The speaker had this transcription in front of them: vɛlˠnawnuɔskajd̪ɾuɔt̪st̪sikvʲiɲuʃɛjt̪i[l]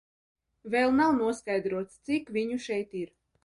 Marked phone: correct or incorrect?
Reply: incorrect